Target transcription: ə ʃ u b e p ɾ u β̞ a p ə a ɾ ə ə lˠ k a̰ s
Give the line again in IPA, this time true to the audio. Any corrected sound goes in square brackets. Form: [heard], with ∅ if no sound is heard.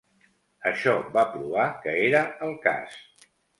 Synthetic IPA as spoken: ə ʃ [ɔ] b [a] p ɾ u β̞ a [k] ə [e] ɾ ə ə lˠ k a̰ s